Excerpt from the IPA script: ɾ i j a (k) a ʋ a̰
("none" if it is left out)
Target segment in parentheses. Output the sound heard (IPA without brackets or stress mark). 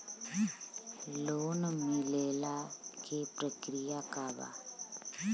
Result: k